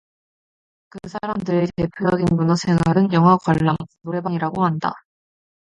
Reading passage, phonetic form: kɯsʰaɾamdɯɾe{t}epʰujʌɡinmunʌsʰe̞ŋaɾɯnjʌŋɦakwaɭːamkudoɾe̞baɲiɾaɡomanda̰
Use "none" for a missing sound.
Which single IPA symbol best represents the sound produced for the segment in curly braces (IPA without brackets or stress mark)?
t